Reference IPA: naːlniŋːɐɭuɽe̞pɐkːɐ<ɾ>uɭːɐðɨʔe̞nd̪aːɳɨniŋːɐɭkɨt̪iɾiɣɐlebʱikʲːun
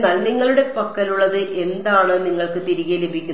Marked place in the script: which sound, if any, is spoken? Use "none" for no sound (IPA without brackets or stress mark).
l